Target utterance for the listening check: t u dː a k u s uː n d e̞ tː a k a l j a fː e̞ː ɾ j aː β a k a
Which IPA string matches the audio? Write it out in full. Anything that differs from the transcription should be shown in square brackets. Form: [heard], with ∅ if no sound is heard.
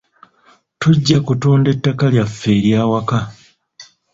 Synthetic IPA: t u [ɟː] a k u [t] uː n d e̞ tː a k a l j a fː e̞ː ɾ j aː [w] a k a